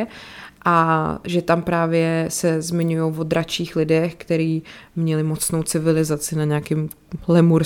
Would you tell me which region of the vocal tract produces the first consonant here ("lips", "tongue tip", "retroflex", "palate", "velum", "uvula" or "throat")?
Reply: throat